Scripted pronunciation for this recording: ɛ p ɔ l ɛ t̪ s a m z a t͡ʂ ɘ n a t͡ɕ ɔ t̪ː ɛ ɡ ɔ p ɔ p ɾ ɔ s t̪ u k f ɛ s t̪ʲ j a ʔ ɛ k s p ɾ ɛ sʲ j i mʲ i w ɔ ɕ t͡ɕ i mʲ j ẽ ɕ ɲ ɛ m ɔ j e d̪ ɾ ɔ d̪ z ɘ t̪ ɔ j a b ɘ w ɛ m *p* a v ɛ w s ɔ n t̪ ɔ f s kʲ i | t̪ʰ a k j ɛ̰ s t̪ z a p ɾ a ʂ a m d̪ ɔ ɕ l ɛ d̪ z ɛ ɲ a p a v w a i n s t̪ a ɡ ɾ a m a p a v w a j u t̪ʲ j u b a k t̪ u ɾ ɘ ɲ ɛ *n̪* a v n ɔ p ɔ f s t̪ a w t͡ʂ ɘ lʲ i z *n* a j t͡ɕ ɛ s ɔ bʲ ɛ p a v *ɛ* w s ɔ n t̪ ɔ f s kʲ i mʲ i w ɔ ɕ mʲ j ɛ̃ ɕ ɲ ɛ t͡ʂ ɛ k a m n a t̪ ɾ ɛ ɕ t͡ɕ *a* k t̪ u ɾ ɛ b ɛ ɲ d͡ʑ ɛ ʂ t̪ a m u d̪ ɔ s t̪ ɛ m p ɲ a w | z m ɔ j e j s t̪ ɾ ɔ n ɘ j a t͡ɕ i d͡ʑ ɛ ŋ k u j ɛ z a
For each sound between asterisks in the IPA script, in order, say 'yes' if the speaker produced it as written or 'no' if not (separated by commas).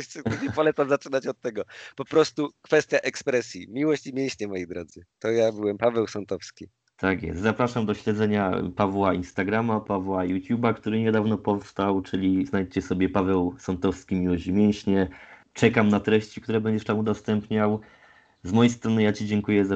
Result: yes, no, yes, yes, no